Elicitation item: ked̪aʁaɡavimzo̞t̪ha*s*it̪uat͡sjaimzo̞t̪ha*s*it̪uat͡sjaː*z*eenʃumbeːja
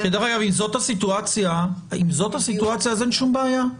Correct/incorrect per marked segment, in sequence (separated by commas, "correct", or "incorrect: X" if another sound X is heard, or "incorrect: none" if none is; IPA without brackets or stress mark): correct, correct, correct